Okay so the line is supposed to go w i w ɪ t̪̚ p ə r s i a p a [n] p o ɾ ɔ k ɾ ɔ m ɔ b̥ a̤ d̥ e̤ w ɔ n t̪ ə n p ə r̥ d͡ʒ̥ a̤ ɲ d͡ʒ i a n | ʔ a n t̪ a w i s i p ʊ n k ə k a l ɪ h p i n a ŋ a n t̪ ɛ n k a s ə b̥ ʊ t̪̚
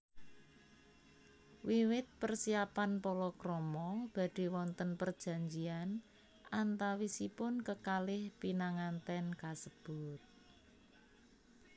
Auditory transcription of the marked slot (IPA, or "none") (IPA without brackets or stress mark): n